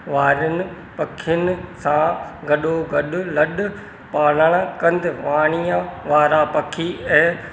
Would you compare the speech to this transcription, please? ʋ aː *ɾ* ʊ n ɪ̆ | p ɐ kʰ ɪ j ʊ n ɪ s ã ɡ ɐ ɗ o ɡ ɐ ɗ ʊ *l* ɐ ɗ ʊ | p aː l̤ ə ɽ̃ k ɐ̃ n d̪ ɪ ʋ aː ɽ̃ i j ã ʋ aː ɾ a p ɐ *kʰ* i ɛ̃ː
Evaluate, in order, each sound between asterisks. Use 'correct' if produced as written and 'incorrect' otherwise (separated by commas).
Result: correct, correct, correct